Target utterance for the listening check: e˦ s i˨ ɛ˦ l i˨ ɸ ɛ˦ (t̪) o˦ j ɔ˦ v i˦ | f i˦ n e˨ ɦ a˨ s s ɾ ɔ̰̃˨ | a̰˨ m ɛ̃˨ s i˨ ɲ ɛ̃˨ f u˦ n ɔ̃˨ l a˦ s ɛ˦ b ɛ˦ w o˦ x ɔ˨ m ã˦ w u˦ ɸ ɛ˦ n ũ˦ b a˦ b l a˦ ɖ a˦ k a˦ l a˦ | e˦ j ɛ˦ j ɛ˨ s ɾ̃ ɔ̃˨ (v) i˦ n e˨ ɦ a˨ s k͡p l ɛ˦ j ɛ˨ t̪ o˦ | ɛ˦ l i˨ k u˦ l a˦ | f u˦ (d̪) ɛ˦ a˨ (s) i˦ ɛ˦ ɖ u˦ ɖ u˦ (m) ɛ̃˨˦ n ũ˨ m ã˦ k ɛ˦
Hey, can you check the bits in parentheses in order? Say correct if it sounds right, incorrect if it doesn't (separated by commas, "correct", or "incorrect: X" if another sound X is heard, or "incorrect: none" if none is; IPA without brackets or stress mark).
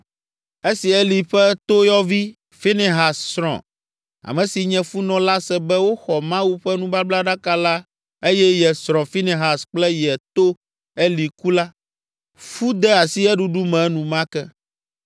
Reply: correct, incorrect: f, correct, correct, correct